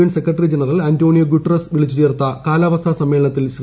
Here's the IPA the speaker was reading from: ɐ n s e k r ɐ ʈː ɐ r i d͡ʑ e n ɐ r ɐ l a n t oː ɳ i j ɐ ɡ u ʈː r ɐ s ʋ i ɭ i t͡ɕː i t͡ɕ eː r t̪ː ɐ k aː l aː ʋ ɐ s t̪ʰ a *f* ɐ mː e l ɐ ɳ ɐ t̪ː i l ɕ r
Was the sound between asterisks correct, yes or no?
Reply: no